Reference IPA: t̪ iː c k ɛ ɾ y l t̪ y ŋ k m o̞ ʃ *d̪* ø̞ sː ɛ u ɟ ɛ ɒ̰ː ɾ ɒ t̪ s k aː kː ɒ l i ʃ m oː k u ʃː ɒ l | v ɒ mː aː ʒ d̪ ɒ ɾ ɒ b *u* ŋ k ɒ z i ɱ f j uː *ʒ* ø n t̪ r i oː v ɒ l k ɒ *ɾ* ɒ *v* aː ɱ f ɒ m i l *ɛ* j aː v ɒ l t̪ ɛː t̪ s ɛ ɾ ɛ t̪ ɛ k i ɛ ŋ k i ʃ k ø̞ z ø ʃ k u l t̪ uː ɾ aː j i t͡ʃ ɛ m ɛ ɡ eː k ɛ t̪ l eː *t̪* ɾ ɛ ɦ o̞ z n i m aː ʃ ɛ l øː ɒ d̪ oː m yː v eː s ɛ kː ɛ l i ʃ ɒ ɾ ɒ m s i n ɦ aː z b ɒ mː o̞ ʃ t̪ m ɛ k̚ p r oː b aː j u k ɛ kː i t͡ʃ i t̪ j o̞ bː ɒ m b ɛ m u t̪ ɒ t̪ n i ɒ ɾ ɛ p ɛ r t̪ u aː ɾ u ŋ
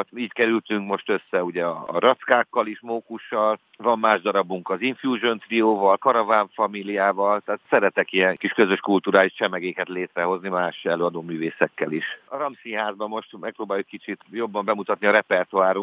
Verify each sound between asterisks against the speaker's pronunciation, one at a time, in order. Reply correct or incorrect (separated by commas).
incorrect, correct, correct, correct, correct, incorrect, correct